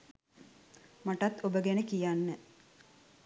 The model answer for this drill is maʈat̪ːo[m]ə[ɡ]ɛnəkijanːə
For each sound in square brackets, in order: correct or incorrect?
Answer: incorrect: b, correct

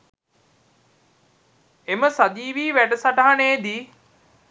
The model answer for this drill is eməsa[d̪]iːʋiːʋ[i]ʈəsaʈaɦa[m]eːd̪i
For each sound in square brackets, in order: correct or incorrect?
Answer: correct, incorrect: æ, incorrect: n

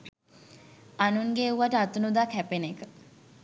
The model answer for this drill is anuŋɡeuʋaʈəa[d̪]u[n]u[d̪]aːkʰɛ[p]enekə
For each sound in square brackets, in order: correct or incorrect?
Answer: incorrect: t̪, correct, correct, correct

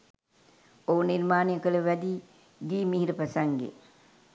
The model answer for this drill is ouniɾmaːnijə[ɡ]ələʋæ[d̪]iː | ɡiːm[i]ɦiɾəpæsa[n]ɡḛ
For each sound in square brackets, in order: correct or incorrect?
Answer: incorrect: k, correct, correct, incorrect: ŋ

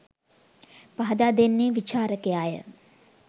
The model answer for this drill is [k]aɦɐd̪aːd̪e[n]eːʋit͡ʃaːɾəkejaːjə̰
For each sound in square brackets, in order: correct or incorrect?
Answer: incorrect: p, incorrect: nː

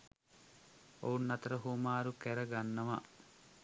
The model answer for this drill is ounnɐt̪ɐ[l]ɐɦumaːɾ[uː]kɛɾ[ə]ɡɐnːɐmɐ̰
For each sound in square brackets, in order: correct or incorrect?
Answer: incorrect: ɾ, incorrect: u, incorrect: ɐ

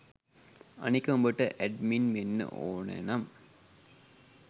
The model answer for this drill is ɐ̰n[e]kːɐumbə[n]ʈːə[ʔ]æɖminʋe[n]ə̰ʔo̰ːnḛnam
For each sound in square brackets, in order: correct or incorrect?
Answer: incorrect: i, incorrect: none, correct, incorrect: nː

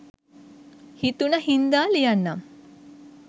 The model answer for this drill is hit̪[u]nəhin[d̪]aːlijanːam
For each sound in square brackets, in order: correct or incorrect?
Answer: correct, correct

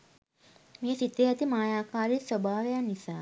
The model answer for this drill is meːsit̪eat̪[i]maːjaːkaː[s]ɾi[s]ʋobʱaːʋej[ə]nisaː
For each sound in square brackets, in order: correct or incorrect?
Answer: correct, incorrect: none, correct, incorrect: a

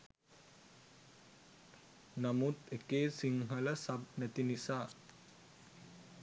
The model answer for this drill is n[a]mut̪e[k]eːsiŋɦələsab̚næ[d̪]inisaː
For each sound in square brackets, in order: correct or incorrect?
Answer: correct, correct, incorrect: t̪

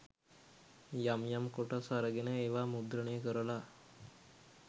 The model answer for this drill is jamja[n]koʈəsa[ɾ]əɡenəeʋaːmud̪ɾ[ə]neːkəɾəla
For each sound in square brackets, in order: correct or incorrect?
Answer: incorrect: m, correct, correct

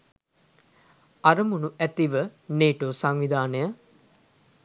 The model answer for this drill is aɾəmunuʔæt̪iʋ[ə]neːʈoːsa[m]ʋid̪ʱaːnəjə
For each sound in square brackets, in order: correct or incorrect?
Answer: correct, incorrect: ŋ

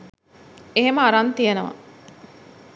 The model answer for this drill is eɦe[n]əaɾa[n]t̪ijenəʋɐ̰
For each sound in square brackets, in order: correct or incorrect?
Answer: incorrect: m, correct

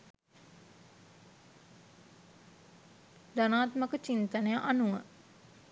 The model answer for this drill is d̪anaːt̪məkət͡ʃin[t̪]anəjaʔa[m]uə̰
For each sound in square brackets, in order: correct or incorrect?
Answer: correct, incorrect: n

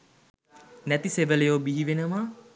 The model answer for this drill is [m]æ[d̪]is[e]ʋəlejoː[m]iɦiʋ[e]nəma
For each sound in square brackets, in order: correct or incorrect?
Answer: incorrect: n, incorrect: t̪, correct, incorrect: b, correct

